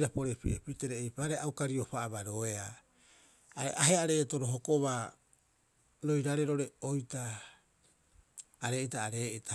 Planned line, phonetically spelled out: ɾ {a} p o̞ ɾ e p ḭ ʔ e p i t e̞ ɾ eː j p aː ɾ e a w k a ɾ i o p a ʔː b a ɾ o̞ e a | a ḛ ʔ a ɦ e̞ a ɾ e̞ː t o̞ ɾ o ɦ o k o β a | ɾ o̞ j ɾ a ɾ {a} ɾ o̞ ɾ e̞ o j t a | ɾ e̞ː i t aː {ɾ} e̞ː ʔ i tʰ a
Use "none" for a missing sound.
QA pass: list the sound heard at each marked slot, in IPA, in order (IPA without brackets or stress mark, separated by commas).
a, e, ɾ